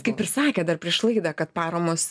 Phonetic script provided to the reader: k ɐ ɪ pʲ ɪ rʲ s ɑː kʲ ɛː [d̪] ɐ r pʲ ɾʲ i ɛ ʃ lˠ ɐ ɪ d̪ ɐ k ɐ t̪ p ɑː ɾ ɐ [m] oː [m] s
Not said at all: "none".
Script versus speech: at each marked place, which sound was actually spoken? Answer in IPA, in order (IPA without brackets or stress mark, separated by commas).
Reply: d̪, m, none